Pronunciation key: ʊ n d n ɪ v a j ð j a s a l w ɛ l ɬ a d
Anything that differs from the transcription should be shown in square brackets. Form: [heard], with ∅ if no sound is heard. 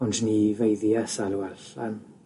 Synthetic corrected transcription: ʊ n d n [i] v [e] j ð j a s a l w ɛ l ɬ a [n]

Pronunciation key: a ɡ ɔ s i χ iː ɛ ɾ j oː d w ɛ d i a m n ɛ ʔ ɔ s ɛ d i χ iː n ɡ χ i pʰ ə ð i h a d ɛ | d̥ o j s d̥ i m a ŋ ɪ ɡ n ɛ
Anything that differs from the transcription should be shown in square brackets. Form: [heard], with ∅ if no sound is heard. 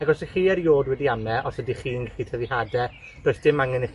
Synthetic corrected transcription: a ɡ ɔ s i χ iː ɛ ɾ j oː d w ɛ d i a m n ɛ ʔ ɔ s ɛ d i χ iː n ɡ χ i [tʰ] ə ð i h a d ɛ | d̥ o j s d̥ [ɪ] m a ŋ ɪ [∅] n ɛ

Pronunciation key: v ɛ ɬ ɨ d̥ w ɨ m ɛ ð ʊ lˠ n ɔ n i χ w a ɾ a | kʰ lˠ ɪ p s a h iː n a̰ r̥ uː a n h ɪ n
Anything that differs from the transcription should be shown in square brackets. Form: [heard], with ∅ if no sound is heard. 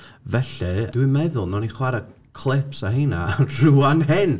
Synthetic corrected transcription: v ɛ ɬ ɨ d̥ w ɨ m ɛ ð ʊ lˠ n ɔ n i χ w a ɾ a | kʰ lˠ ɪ p s a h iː n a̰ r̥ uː a n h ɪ n

